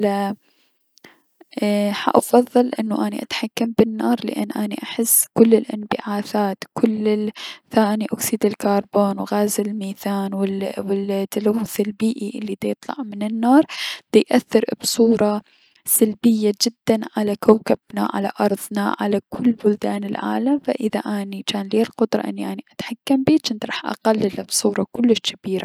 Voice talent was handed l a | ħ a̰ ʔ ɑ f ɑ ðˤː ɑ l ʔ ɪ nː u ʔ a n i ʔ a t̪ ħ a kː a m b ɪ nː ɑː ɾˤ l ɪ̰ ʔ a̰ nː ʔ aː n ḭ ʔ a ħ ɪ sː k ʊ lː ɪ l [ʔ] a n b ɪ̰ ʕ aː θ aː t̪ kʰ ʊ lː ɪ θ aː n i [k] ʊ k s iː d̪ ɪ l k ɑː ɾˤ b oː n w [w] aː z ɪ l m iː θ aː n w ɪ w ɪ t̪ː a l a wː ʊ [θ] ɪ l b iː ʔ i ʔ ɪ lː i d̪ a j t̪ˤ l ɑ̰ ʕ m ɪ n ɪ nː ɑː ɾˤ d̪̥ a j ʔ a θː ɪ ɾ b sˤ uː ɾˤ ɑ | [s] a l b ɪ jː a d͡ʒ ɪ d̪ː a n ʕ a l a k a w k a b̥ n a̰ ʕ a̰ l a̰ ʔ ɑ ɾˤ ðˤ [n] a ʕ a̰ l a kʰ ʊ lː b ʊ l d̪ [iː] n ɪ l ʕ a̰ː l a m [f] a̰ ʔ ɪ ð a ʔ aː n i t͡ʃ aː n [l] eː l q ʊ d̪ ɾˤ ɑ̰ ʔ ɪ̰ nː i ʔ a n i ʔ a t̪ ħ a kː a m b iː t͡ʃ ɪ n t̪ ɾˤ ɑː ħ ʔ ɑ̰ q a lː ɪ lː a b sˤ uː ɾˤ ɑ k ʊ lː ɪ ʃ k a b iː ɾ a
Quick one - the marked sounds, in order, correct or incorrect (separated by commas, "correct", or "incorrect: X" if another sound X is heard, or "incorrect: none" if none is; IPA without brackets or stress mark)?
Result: correct, incorrect: ʔ, incorrect: ɣ, correct, correct, correct, incorrect: aː, correct, correct